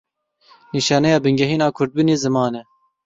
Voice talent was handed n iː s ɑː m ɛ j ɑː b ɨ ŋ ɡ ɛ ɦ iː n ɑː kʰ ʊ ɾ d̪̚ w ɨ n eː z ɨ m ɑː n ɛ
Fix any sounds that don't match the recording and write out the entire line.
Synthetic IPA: n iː ʃ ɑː n ɛ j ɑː b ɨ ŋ ɡ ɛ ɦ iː n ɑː kʰ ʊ ɾ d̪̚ b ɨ n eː z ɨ m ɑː n ɛ